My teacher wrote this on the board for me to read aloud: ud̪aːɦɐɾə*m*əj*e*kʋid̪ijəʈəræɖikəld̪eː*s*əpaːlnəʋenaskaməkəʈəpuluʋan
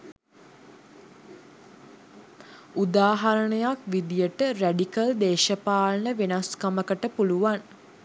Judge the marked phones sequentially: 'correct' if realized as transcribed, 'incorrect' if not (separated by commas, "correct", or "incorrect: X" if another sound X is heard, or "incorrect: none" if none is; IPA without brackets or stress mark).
incorrect: ɳ, incorrect: a, incorrect: ʃ